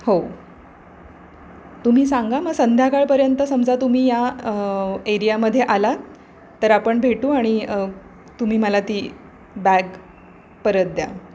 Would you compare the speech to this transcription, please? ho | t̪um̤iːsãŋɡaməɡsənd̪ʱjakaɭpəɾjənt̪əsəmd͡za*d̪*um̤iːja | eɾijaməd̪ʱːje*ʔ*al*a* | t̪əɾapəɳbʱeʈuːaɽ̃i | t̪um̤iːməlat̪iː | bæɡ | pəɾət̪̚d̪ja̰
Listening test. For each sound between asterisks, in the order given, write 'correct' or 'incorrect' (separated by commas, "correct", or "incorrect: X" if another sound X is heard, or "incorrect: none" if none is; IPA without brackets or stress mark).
incorrect: t̪, correct, correct